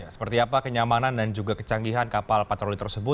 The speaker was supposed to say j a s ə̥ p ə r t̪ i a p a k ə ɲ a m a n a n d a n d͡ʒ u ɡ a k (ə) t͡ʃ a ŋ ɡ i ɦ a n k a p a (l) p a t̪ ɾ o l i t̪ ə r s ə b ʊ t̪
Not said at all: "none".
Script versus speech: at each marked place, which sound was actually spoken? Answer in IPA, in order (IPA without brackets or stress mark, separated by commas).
ə, l